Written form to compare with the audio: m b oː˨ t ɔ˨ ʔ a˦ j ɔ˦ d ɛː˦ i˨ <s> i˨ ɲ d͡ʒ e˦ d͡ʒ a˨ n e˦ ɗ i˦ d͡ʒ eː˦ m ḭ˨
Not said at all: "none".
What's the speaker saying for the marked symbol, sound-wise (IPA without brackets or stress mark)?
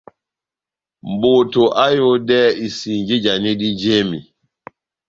s